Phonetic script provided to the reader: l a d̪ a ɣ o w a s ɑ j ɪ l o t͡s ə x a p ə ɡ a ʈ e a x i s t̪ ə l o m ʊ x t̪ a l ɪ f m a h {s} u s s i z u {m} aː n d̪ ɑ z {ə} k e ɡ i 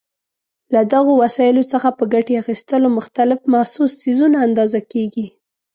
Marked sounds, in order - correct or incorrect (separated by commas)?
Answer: correct, incorrect, incorrect